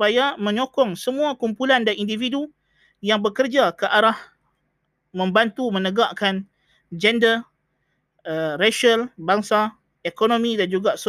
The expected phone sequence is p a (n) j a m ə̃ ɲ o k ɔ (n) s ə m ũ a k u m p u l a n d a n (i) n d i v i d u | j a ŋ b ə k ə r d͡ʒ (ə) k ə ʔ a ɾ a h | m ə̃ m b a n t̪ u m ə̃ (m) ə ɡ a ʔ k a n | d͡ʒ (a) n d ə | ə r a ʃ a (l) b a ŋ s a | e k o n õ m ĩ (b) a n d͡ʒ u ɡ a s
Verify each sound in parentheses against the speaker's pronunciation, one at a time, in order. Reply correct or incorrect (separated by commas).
incorrect, incorrect, correct, incorrect, incorrect, incorrect, correct, incorrect